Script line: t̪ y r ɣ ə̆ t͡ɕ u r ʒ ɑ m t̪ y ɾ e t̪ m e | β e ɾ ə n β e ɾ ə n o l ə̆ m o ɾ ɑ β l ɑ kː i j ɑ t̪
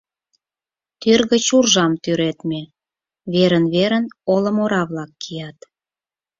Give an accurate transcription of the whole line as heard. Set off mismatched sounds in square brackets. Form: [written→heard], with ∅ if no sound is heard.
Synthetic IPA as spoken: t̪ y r ɣ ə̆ t͡ɕ u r ʒ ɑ m t̪ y ɾ e t̪ m e | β e ɾ ə n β e ɾ ə n o l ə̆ m o ɾ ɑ β l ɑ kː i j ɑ t̪